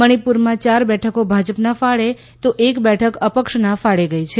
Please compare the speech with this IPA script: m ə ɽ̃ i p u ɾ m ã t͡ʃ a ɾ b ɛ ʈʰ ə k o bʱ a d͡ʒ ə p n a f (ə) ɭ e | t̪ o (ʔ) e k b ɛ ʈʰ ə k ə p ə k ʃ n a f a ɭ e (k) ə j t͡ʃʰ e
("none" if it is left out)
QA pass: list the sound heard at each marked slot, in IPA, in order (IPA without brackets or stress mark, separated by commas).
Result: a, ʔ, ɡ